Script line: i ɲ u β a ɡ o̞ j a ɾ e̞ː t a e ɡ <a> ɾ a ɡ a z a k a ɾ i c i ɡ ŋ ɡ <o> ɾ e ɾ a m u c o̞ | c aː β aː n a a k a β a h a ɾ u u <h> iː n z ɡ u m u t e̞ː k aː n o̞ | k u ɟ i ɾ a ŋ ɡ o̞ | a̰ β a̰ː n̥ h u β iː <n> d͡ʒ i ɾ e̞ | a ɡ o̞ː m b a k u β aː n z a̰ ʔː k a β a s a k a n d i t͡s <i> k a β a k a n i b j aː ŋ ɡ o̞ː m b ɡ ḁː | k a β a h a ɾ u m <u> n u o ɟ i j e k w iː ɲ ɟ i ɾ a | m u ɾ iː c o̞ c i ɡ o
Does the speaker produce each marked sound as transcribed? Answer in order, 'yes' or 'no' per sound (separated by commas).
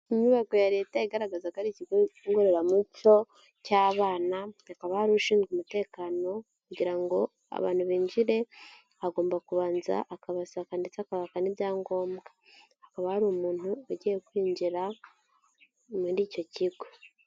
yes, yes, no, no, no, no